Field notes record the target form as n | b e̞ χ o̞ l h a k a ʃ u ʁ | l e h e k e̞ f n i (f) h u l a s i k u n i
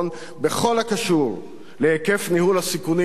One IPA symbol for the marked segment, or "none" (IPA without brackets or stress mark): none